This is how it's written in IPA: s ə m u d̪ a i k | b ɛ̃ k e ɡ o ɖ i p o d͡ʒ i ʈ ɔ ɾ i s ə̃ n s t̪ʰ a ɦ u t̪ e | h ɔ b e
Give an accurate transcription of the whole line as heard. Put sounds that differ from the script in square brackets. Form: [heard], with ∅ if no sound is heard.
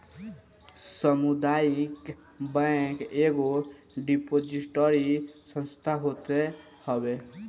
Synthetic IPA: s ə m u d̪ a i k | b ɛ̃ k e ɡ o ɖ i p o d͡ʒ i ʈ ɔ ɾ i s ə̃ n s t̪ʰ a ɦ [o] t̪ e | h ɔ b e